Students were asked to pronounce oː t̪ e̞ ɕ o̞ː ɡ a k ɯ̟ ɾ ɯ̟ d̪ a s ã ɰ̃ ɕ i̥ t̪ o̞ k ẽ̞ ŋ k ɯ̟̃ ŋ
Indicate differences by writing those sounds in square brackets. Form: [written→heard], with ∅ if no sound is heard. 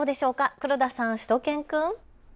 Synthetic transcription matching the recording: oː [t̪→d̪] e̞ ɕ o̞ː [ɡ→k] a k ɯ̟ ɾ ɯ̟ d̪ a s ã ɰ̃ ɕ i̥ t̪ o̞ k ẽ̞ ŋ k ɯ̟̃ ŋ